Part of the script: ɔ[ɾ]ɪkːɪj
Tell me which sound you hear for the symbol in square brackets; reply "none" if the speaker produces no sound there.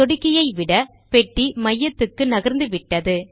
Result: ɽ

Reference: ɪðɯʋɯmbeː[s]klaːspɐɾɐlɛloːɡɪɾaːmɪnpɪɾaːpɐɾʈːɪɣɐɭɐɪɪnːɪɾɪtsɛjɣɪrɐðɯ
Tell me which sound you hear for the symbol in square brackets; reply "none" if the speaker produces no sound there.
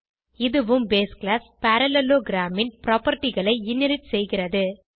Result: s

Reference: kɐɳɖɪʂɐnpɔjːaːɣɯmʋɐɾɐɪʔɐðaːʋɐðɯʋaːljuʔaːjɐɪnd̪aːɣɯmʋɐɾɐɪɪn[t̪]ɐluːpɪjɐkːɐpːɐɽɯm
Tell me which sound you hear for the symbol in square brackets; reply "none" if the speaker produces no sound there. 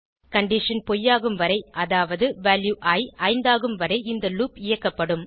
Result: d̪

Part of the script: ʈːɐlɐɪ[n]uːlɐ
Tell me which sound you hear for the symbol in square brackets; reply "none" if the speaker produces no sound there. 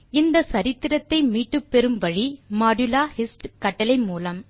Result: m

